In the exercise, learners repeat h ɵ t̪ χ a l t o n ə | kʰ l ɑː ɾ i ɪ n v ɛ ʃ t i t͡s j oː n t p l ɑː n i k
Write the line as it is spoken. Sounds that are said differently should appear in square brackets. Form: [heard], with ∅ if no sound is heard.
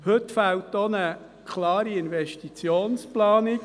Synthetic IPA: h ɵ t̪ [f] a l t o n ə | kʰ l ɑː ɾ i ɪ n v ɛ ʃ t i t͡s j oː n [s] p l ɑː n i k